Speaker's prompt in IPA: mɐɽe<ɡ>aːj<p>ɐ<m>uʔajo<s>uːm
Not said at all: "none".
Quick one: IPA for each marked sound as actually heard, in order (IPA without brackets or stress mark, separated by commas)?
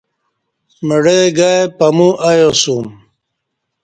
ɡ, p, m, s